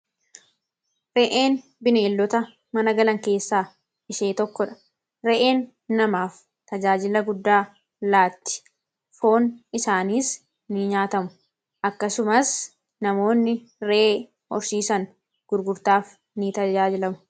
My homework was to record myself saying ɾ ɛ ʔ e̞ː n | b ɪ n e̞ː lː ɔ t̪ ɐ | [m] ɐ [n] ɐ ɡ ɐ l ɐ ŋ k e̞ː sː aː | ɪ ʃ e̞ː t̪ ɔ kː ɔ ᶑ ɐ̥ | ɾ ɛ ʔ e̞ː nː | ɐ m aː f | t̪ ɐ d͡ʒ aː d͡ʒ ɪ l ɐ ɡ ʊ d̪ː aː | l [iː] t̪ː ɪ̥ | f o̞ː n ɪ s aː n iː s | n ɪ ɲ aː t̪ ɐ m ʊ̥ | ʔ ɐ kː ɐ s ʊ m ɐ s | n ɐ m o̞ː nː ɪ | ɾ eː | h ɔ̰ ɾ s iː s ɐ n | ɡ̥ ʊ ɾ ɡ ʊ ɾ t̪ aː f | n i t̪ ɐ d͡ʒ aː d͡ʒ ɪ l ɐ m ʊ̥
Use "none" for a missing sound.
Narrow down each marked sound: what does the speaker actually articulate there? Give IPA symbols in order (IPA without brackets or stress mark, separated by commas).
m, n, aː